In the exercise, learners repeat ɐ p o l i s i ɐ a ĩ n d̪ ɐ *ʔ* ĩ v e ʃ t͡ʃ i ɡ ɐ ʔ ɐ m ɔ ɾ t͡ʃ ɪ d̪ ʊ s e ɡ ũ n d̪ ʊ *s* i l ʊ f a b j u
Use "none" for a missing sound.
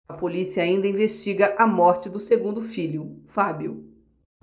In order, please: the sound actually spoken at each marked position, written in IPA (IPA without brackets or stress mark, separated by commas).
none, f